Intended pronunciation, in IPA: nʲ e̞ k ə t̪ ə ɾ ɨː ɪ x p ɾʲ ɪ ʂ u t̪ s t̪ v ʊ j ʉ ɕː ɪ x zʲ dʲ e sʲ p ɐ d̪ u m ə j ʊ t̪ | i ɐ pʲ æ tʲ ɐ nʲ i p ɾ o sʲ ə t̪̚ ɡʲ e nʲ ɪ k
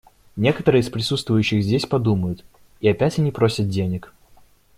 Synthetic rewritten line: nʲ e̞ k ə t̪ ə ɾ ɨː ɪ s p ɾʲ ɪ s u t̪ s t̪ v ʊ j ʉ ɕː ɪ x zʲ dʲ e sʲ p ɐ d̪ u m ə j ʊ t̪ | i ɐ pʲ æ tʲ ɐ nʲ i p ɾ o sʲ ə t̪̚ dʲ e nʲ ɪ k